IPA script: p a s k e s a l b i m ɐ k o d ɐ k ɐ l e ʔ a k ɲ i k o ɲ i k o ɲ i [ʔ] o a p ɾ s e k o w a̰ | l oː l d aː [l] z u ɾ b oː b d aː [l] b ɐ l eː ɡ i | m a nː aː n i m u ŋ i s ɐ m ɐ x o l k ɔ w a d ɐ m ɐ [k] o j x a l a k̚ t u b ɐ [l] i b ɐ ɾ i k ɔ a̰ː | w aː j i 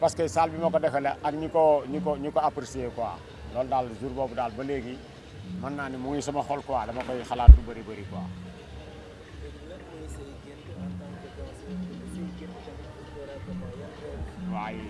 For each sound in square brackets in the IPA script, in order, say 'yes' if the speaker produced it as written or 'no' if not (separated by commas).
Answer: no, yes, yes, yes, no